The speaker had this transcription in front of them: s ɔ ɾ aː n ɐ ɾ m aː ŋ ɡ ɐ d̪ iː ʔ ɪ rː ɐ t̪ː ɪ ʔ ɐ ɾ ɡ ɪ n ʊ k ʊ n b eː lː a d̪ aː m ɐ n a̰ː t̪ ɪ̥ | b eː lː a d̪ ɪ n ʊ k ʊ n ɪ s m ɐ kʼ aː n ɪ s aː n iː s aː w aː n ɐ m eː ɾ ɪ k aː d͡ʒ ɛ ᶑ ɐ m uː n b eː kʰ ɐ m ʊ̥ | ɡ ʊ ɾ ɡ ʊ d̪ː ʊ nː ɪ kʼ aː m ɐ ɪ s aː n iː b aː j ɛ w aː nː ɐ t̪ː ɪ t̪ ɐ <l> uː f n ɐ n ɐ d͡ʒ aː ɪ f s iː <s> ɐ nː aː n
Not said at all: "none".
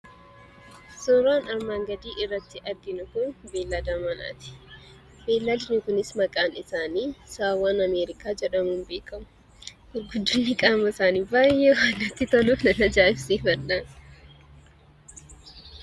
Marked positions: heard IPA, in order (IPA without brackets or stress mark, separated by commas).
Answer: l, f